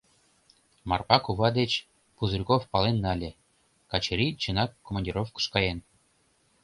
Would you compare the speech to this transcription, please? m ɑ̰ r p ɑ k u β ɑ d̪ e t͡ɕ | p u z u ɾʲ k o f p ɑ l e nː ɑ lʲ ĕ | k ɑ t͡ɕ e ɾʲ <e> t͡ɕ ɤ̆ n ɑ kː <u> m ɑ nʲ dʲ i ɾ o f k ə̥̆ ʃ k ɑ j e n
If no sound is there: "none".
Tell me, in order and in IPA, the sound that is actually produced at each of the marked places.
i, o

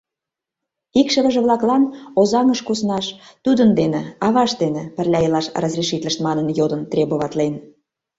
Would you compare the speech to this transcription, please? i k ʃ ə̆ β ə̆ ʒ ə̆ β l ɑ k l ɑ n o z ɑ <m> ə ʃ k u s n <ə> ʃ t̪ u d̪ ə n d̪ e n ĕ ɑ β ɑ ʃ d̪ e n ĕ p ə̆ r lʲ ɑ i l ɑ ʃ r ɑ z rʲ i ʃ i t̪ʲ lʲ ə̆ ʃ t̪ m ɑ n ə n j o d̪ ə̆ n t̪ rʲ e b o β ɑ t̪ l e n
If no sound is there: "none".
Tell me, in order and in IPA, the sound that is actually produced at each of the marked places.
ŋ, ɑ

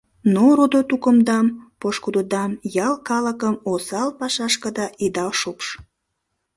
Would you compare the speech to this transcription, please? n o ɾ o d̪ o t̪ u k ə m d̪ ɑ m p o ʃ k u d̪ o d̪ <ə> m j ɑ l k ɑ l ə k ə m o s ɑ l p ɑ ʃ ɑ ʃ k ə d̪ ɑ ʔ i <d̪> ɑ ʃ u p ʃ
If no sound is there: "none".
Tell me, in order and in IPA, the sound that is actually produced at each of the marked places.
ɑ, d̪

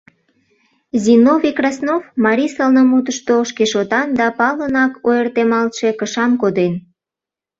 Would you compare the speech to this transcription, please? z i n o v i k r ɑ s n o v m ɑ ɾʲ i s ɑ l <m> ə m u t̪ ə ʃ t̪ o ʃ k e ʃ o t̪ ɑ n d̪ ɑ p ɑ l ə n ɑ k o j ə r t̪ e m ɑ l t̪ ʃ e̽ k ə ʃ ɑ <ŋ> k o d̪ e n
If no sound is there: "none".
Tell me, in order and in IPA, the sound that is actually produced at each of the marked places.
n, m

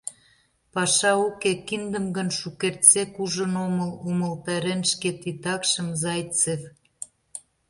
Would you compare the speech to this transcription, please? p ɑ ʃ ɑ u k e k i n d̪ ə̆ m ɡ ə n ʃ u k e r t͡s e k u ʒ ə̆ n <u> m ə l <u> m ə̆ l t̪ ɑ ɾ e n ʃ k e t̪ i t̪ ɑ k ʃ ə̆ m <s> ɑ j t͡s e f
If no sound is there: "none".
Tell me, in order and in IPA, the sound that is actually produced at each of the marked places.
o, u, z

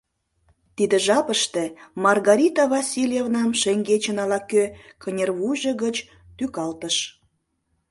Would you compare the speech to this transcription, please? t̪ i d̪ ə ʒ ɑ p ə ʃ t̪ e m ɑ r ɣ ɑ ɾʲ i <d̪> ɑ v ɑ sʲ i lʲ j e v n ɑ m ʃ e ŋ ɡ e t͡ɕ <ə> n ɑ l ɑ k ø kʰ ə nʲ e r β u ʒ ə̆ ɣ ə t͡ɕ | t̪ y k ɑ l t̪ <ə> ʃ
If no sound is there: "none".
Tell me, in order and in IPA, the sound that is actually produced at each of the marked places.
t̪, ə, ə

